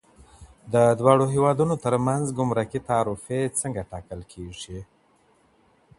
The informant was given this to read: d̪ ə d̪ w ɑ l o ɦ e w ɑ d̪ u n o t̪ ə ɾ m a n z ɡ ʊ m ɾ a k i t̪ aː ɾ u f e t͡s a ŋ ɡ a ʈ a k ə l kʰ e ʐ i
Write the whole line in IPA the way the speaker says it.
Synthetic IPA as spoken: d̪ ə d̪ w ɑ ɽ o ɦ e w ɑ d̪ u n o t̪ ə ɾ m a n z ɡ ʊ m ɾ a k i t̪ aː ɾ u f e t͡s ə ŋ ɡ a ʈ ɑ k ə l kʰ e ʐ i